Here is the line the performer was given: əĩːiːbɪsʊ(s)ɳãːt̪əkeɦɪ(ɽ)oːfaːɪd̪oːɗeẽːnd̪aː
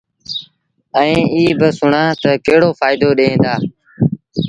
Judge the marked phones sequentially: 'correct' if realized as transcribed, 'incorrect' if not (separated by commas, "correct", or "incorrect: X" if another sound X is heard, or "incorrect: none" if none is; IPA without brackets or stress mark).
incorrect: none, correct